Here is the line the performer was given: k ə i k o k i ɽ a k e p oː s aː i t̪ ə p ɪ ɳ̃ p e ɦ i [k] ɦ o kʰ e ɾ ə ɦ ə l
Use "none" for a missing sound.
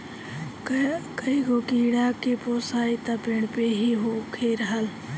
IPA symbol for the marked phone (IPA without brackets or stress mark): none